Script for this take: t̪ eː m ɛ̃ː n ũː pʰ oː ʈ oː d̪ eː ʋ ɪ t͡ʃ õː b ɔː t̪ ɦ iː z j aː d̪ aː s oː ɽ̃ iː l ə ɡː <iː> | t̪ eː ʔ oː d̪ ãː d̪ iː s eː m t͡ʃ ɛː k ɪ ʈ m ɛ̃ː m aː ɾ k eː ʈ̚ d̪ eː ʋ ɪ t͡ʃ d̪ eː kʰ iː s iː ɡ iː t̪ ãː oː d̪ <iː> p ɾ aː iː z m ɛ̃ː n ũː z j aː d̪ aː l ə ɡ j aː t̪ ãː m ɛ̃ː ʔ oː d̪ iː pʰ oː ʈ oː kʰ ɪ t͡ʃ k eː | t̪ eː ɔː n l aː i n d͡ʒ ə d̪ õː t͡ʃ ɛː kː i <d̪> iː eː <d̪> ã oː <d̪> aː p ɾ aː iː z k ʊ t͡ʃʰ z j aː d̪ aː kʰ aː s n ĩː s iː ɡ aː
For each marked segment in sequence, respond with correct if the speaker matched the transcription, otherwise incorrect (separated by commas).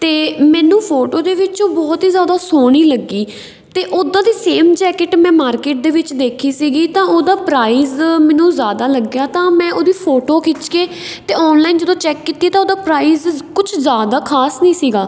correct, incorrect, incorrect, incorrect, correct